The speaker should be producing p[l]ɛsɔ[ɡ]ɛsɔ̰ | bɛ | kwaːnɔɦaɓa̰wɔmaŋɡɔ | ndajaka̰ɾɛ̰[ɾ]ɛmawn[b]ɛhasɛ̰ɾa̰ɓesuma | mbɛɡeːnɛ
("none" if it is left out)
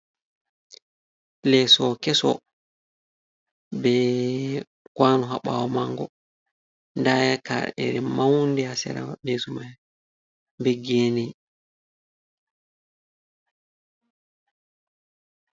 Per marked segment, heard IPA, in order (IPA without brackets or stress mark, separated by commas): l, k, ɾ, d